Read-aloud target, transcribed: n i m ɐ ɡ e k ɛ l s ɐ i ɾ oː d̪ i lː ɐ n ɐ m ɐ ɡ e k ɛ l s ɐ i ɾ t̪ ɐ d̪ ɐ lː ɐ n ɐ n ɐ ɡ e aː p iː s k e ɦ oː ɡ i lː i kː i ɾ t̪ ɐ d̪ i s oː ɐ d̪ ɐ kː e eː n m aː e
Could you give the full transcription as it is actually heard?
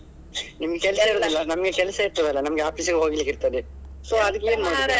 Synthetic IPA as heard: n i m ɐ ɡ e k ɛ l s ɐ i ɾ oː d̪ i lː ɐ n ɐ m ɐ ɡ e k ɛ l s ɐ i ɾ t̪ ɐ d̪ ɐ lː ɐ n ɐ m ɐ ɡ e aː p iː s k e ɦ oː ɡ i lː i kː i ɾ t̪ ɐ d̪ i s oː ɐ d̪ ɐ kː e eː n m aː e